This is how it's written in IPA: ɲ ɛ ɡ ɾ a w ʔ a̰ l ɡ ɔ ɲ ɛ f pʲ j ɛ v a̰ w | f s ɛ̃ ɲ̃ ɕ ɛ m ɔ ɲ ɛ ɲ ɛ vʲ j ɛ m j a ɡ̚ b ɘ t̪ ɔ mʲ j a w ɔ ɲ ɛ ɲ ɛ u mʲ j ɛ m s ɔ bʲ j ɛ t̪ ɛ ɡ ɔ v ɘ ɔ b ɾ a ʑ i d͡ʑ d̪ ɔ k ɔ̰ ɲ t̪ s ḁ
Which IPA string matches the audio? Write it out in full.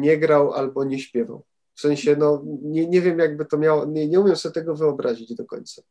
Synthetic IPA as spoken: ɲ ɛ ɡ ɾ a w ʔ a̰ l b ɔ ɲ ɛ ɕ pʲ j ɛ v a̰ w | f s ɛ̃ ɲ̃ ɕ ɛ n ɔ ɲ ɛ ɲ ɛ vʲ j ɛ m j a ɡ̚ b ɘ t̪ ɔ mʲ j a w ɔ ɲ ɛ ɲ ɛ u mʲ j ɛ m s ɔ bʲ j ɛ t̪ ɛ ɡ ɔ v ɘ ɔ b ɾ a ʑ i d͡ʑ d̪ ɔ k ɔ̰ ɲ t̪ s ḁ